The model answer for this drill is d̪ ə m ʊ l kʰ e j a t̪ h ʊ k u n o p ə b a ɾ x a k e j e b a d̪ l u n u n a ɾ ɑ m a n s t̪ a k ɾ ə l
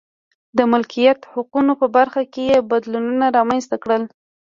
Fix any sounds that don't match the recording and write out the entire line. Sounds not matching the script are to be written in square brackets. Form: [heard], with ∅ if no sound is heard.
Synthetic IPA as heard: d̪ ə m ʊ l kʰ [i] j a t̪ h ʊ [q] u n o p ə b a ɾ x a k e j e b a d̪ l u n u n a ɾ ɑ m a n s t̪ a k [ɽ] ə l